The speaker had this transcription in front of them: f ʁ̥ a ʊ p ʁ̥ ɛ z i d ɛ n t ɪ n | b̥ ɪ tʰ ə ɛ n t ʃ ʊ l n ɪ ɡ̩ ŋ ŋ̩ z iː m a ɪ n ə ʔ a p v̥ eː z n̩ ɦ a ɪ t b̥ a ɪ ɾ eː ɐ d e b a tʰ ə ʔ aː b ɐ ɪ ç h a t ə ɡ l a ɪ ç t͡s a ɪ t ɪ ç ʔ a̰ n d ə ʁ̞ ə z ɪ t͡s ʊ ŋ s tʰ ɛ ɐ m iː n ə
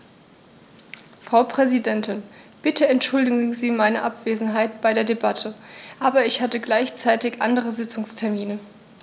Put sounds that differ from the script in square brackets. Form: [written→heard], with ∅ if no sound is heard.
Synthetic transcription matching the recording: f ʁ̥ a ʊ p ʁ̥ ɛ z i d ɛ n t ɪ n | b̥ ɪ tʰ ə ɛ n t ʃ ʊ l [n→d] ɪ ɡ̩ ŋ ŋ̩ z iː m a ɪ n ə ʔ a p v̥ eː z n̩ ɦ a ɪ t b̥ a ɪ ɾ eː ɐ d e b a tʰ ə ʔ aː b ɐ ɪ ç h a t ə ɡ l a ɪ ç t͡s a ɪ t ɪ ç ʔ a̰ n d ə ʁ̞ ə z ɪ t͡s ʊ ŋ s tʰ ɛ ɐ m iː n ə